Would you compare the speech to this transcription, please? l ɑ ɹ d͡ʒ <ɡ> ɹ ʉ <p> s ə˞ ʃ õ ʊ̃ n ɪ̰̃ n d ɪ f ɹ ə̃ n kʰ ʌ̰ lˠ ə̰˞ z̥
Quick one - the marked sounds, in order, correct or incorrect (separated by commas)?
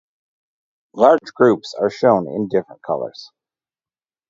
correct, correct